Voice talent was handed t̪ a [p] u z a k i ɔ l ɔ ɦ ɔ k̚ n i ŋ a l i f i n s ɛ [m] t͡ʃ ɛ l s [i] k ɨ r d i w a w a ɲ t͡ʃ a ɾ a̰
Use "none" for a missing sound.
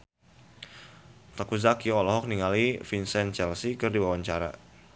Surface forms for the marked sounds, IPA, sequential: k, n, i

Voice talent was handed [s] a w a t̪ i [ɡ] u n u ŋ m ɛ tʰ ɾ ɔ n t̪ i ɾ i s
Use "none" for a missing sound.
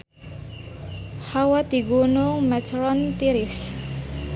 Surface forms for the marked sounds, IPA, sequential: h, ɡ

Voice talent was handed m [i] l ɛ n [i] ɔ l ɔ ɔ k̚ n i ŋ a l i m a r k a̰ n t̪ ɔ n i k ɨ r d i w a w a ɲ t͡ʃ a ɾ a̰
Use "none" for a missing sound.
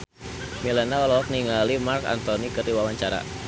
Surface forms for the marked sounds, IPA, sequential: i, a

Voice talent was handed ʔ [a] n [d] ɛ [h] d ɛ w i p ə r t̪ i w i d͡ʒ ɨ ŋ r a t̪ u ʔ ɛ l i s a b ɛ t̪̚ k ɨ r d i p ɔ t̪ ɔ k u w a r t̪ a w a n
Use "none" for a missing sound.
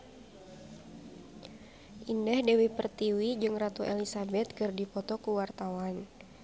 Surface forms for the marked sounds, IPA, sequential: i, d, h

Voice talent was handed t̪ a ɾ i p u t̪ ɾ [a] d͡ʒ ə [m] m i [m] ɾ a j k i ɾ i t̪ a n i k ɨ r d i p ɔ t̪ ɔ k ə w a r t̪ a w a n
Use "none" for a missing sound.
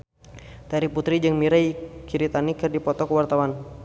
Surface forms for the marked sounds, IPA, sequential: i, ŋ, none

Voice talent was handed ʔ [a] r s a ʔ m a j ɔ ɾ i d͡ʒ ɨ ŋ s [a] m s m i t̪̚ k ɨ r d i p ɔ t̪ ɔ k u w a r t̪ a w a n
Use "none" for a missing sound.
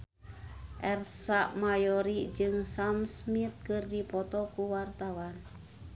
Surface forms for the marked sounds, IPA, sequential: ɛ, a

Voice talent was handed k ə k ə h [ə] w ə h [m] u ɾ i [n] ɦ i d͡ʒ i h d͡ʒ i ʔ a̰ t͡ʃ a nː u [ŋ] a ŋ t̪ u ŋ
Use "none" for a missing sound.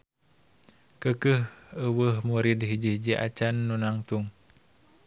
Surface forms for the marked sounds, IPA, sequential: ə, m, d, n

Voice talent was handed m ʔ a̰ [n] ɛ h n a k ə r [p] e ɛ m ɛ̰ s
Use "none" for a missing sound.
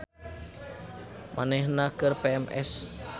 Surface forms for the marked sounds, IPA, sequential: n, p

